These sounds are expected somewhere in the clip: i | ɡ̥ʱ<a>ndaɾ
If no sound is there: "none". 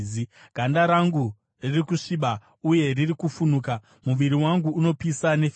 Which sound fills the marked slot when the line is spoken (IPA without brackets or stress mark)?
a